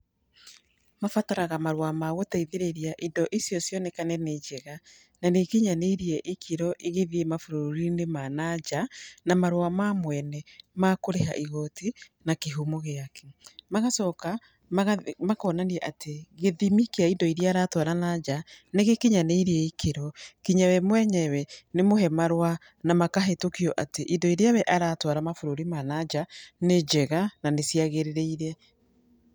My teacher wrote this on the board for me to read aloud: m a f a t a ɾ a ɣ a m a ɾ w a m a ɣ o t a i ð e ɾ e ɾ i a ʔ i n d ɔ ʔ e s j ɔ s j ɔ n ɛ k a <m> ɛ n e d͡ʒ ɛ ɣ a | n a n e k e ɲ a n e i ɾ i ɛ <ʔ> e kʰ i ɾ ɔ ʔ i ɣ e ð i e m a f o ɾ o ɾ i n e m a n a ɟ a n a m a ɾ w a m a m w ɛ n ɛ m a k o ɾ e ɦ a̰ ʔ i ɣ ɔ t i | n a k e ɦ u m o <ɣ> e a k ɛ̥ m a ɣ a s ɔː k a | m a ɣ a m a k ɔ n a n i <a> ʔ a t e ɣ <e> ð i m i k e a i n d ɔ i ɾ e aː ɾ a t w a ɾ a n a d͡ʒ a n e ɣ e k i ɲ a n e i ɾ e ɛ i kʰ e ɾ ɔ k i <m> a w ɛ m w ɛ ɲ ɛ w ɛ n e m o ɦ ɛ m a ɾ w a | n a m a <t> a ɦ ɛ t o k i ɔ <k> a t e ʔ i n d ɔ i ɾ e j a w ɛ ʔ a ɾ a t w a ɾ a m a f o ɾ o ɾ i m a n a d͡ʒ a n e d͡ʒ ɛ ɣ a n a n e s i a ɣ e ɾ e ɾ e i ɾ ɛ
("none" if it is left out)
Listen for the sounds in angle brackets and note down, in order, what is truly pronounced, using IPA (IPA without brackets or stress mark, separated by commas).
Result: n, ʔ, ɣ, ɛ, e, ɲ, k, ʔ